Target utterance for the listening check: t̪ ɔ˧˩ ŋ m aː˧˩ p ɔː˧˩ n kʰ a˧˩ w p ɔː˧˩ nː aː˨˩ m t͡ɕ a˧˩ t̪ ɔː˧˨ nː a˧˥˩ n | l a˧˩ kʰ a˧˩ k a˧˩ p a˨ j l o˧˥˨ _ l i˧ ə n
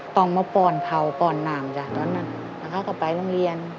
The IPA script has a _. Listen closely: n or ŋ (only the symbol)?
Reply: ŋ